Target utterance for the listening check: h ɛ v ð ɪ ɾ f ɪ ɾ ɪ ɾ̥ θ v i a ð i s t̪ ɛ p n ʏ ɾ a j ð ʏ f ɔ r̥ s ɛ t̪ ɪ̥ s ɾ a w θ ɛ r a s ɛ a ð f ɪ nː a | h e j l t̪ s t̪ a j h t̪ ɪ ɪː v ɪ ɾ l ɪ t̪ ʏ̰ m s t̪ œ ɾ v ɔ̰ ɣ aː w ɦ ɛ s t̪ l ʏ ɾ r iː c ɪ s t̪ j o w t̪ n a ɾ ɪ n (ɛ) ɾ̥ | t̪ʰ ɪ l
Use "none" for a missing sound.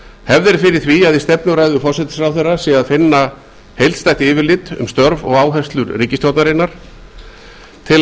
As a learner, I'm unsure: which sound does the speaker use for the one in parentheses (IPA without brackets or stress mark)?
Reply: a